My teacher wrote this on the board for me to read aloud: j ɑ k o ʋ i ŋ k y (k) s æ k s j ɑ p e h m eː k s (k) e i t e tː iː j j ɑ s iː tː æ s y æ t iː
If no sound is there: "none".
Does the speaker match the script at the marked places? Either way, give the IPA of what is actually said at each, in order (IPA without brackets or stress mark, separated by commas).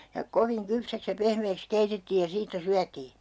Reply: p, k